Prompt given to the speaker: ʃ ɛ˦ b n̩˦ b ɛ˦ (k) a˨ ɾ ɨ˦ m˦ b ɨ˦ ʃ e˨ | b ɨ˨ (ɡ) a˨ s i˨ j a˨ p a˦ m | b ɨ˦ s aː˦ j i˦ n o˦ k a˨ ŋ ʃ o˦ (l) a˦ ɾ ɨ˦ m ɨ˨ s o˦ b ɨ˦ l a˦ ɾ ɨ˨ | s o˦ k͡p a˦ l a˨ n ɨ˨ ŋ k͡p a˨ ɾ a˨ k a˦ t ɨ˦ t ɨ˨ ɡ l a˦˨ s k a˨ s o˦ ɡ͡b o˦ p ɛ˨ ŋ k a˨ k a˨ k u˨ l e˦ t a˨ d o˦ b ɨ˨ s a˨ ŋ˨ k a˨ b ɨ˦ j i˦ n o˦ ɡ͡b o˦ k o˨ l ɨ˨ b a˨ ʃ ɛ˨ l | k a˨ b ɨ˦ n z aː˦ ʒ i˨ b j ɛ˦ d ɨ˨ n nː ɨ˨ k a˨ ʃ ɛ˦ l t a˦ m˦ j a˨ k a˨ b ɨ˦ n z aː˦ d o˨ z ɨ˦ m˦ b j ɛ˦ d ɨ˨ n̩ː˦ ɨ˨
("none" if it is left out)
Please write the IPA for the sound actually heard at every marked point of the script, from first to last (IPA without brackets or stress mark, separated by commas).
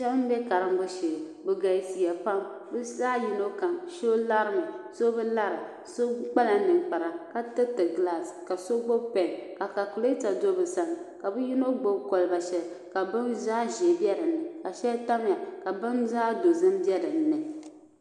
k, ɡ, l